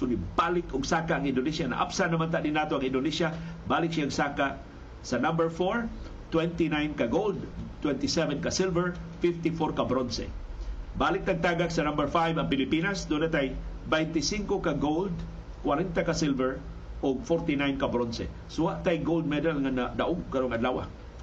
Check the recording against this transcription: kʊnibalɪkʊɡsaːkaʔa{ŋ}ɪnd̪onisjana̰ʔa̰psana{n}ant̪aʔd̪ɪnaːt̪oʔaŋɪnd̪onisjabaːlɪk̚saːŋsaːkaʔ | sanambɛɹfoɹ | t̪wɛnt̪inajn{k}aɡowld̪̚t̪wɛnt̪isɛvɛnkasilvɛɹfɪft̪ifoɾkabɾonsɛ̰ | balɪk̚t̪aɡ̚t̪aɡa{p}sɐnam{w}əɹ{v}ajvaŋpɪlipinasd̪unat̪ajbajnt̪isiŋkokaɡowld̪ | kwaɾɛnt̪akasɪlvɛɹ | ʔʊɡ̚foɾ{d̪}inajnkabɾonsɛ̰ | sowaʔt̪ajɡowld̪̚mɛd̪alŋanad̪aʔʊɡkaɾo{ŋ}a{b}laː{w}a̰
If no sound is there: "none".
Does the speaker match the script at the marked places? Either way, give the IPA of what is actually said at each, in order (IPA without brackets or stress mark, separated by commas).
ŋ, m, k, k, b, f, t̪, ŋ, d, w